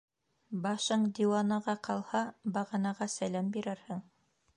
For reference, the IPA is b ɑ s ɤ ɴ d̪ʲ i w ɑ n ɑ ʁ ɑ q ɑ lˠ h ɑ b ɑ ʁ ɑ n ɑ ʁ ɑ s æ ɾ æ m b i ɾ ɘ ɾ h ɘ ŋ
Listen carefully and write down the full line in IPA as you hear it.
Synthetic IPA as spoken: b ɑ ʃ ɤ ɴ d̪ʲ i w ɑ n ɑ ʁ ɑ q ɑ lˠ h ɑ b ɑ ʁ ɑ n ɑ ʁ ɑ s æ l æ m b i ɾ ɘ ɾ h ɘ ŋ